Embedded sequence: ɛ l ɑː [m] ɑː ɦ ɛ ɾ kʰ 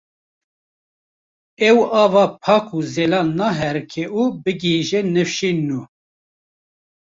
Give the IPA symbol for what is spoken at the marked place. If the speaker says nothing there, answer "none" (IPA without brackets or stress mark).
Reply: n